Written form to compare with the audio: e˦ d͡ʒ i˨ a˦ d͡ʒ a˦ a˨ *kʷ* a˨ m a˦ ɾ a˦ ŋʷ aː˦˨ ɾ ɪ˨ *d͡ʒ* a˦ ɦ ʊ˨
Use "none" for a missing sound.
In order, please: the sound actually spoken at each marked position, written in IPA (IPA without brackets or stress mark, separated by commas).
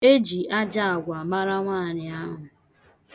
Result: ɡʷ, none